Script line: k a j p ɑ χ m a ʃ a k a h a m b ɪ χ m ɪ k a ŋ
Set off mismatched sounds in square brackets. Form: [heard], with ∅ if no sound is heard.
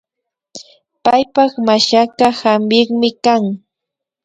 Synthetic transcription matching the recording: [p] a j p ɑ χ m a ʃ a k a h a m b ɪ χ m ɪ k a ŋ